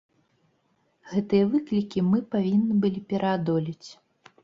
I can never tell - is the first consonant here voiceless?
no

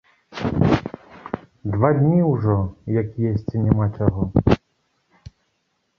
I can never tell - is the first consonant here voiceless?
no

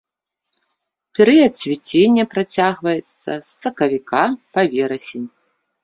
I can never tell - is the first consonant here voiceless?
yes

